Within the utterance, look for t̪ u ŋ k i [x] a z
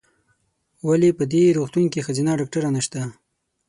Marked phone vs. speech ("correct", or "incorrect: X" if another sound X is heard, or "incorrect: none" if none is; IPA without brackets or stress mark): correct